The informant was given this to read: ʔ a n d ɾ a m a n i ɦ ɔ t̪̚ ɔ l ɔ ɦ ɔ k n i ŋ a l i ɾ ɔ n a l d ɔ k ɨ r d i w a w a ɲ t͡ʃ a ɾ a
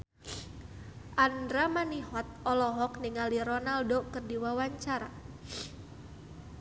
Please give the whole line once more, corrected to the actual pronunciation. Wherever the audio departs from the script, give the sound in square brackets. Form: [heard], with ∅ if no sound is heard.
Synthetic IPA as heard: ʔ a n d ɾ a m a n i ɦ ɔ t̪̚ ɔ l ɔ ɦ ɔ k n i ŋ a l i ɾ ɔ n a l d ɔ k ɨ r d i w a w a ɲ t͡ʃ a ɾ a